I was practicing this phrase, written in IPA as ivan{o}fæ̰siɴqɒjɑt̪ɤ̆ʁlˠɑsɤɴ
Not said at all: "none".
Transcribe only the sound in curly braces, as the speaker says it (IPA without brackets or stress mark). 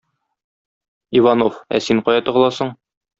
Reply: o